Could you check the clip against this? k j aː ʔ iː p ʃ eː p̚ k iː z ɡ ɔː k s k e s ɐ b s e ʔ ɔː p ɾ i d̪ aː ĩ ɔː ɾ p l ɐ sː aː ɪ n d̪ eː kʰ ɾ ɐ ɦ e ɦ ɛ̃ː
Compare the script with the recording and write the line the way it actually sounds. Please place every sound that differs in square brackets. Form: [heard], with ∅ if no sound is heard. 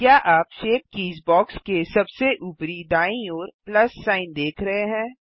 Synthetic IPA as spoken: k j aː ʔ [aː] p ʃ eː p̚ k iː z [b] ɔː k s k e s ɐ b s e ʔ [uː] p ɾ i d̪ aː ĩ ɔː ɾ p l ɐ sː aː ɪ n d̪ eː kʰ ɾ ɐ ɦ e ɦ ɛ̃ː